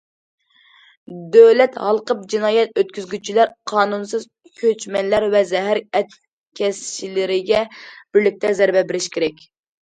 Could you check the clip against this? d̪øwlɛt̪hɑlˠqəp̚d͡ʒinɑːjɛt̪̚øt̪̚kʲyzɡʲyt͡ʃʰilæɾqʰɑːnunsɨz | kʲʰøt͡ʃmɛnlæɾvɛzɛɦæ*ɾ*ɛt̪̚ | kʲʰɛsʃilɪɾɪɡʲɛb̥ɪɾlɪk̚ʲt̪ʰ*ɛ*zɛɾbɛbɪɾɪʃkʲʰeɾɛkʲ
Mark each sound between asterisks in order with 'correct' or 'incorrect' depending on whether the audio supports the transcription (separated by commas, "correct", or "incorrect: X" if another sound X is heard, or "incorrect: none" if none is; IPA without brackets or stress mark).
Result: correct, correct